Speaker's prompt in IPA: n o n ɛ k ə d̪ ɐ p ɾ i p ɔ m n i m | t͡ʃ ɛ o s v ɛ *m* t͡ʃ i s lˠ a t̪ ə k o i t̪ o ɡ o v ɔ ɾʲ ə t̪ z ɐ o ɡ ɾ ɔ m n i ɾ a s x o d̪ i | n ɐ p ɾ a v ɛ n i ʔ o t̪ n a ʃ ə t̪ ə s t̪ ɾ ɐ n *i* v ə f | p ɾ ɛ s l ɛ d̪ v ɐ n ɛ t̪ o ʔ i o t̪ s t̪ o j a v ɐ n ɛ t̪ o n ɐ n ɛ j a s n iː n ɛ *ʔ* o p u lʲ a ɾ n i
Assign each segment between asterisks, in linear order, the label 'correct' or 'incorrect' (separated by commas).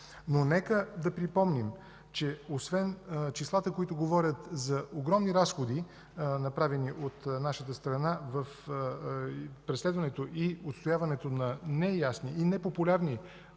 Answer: incorrect, incorrect, incorrect